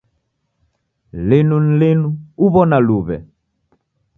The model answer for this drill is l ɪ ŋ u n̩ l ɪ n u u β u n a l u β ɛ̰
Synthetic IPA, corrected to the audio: l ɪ n u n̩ l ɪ n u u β ɔ n a l u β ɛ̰